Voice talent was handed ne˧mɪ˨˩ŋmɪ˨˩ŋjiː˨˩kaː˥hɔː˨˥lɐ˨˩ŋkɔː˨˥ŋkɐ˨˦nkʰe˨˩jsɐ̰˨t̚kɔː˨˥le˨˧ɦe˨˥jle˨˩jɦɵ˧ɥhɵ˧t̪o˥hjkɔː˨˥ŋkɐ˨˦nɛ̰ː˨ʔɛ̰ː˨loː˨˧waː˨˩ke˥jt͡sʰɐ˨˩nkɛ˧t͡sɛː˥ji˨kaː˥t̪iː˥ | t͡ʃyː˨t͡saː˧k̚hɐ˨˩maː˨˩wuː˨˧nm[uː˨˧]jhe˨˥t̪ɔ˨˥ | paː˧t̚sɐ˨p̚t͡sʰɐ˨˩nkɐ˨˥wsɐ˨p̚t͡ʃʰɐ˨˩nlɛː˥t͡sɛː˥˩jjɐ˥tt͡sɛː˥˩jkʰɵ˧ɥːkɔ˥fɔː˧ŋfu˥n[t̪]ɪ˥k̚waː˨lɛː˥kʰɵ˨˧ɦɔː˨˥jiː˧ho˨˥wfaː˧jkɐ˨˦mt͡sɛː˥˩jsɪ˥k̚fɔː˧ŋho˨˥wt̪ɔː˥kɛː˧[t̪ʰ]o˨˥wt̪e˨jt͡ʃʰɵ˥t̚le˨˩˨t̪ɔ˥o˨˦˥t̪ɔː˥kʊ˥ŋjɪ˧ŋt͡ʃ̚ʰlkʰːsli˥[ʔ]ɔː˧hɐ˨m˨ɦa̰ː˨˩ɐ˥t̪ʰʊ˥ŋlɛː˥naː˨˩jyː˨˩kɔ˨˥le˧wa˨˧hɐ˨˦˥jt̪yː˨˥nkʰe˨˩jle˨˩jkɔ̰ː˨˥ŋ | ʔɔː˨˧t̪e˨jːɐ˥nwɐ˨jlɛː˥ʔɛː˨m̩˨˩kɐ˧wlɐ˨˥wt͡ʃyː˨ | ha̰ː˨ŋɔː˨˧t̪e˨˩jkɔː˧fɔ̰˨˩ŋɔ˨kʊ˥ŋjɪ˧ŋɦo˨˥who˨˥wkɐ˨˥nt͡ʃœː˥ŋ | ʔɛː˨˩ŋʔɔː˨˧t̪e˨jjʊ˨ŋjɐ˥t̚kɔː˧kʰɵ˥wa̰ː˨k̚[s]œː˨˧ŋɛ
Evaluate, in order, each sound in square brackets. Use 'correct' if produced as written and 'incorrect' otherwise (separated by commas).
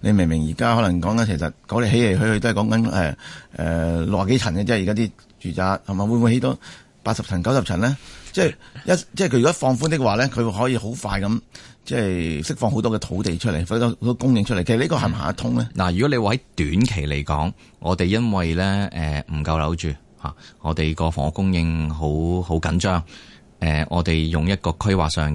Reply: incorrect, correct, correct, incorrect, correct